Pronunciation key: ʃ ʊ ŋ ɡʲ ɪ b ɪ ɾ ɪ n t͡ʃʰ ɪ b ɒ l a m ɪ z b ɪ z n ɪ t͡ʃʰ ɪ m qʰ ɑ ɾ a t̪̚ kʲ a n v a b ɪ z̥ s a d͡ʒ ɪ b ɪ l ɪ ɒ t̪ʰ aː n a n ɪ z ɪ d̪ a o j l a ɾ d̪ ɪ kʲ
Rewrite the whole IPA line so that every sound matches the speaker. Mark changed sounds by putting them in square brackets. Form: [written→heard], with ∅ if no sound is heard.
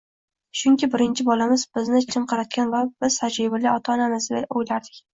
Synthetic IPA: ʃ ʊ ŋ [ɡʲ→kʲ] ɪ b ɪ ɾ ɪ n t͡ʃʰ ɪ b ɒ l a m ɪ z b ɪ z n ɪ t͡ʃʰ ɪ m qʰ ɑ ɾ a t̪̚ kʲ a n v a b ɪ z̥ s a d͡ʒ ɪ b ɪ l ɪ ɒ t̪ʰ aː n a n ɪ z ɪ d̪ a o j l a ɾ d̪ ɪ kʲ

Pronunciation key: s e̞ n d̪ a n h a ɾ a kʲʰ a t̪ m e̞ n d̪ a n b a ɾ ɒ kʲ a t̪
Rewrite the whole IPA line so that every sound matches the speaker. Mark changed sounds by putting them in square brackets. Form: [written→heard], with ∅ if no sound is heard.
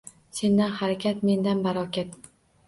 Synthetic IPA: s e̞ n d̪ a n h a ɾ a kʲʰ a t̪ m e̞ n d̪ a n b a ɾ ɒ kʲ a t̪

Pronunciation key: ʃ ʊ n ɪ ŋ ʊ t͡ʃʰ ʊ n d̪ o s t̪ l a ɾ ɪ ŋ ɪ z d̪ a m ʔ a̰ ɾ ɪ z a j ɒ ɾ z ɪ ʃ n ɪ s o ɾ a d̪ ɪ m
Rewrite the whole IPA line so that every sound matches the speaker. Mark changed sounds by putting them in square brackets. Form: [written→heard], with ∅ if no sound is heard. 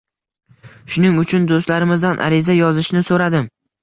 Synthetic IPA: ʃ ʊ n ɪ ŋ ʊ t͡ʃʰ ʊ n d̪ o s t̪ l a ɾ ɪ [ŋ→m] ɪ z d̪ a [m→n] ʔ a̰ ɾ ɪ z a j ɒ [ɾ→∅] z ɪ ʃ n ɪ s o ɾ a d̪ ɪ m

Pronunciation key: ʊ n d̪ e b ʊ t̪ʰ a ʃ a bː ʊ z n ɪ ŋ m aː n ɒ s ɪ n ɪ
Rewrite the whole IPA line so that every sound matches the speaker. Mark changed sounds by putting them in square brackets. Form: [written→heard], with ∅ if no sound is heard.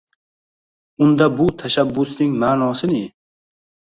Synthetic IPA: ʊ n d̪ [e→a] b ʊ t̪ʰ a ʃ a bː ʊ [z→s] n ɪ ŋ m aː n ɒ s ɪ n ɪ

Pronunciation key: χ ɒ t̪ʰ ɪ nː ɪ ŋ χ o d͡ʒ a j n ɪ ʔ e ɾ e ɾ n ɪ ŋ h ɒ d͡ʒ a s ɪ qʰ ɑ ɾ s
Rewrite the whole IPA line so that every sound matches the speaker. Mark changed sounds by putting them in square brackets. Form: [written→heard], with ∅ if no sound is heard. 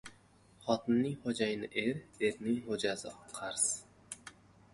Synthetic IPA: χ ɒ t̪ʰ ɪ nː ɪ ŋ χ o d͡ʒ a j n ɪ ʔ e ɾ e ɾ n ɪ ŋ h [ɒ→o] d͡ʒ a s ɪ qʰ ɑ ɾ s

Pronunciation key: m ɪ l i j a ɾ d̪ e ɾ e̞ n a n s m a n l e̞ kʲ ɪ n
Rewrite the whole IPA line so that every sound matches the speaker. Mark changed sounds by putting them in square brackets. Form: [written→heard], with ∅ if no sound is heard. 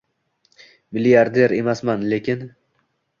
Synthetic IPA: m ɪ l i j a ɾ d̪ e ɾ e̞ [n→m] a [n→∅] s m a n l e̞ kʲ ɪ n

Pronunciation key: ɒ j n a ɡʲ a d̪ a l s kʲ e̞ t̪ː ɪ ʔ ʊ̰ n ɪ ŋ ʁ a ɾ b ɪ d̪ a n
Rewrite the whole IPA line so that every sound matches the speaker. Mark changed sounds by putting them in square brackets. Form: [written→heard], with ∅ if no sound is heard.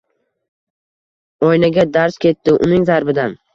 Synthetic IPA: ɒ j n a ɡʲ a d̪ a [l→ɾ] s kʲ e̞ t̪ː ɪ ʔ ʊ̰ n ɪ ŋ [ʁ→z] a ɾ b ɪ d̪ a n

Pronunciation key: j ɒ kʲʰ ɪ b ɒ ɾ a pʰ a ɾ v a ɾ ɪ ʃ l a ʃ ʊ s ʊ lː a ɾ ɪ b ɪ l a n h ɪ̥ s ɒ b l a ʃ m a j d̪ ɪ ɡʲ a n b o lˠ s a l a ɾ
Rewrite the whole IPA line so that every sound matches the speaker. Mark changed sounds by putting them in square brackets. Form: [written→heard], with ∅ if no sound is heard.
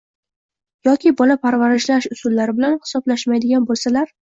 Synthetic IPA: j ɒ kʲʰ ɪ b ɒ [ɾ→l] a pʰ a ɾ v a ɾ ɪ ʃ l a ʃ ʊ s ʊ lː a ɾ ɪ b ɪ l a n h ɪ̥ s ɒ b l a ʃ m a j d̪ ɪ ɡʲ a n b o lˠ s a l a ɾ

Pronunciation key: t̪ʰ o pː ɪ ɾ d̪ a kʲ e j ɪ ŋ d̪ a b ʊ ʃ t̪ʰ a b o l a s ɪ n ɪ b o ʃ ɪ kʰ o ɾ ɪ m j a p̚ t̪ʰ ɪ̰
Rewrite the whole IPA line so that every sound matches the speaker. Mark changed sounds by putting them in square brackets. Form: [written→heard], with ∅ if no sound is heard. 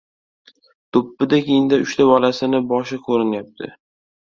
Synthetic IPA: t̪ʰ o pː ɪ [ɾ→∅] d̪ a kʲ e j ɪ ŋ d̪ a [b→∅] ʊ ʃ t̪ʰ a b [o→ɒ] l a s ɪ n ɪ b [o→ɒ] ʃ ɪ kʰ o ɾ ɪ [m→n] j a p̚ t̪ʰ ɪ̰

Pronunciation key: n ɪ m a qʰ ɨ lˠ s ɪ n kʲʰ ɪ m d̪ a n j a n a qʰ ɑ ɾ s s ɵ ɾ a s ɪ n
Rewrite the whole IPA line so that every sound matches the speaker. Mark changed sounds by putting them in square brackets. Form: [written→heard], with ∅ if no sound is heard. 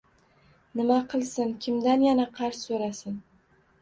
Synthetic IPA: n ɪ m a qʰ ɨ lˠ s ɪ n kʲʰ ɪ m d̪ a n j a n a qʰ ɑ ɾ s s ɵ ɾ a s ɪ n

